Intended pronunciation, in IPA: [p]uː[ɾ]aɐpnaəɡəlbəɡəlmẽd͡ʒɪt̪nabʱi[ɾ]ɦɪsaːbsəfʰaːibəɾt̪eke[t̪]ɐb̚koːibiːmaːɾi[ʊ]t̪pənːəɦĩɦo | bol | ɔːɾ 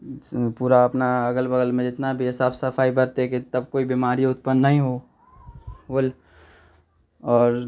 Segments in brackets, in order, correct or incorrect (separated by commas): correct, correct, incorrect, correct, correct